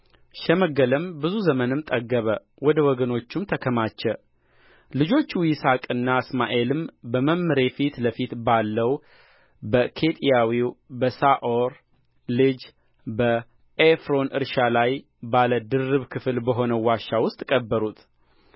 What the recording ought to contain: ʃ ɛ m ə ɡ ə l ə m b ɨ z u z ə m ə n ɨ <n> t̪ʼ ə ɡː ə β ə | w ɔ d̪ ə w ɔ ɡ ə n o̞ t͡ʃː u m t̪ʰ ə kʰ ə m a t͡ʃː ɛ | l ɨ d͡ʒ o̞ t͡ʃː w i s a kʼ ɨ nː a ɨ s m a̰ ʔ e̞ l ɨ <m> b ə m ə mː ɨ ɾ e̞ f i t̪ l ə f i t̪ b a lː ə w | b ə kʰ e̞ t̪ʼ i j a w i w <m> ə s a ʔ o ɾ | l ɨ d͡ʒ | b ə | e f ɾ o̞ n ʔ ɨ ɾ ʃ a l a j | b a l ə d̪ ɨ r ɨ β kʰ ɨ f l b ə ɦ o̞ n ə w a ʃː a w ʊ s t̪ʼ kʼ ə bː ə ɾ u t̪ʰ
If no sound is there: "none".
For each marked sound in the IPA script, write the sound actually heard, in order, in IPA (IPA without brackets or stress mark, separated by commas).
m, m, b